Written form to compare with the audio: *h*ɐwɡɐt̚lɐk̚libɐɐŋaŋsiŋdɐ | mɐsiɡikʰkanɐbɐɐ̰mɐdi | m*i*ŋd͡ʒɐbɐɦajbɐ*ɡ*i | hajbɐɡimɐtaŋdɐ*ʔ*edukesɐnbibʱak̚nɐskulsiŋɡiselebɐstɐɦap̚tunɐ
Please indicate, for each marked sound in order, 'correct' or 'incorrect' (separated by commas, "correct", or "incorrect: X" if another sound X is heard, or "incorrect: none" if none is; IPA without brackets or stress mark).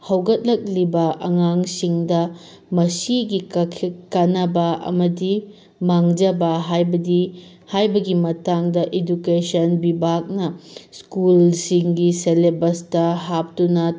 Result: correct, incorrect: a, incorrect: d, correct